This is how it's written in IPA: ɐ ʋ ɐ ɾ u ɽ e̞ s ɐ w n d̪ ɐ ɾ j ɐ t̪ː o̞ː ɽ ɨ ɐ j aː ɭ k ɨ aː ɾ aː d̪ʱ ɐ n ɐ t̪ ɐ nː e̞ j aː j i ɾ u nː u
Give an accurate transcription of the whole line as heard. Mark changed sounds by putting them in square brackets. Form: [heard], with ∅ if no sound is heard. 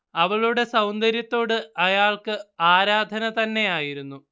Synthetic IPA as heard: ɐ ʋ ɐ [ɭ] u ɽ e̞ s ɐ w n d̪ ɐ ɾ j ɐ t̪ː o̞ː ɽ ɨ ɐ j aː ɭ k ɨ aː ɾ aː d̪ʱ ɐ n ɐ t̪ ɐ nː e̞ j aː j i ɾ u nː u